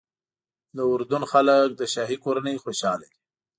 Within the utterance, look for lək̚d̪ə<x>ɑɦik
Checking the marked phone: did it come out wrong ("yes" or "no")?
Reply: yes